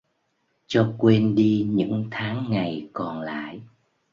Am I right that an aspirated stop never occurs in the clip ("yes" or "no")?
no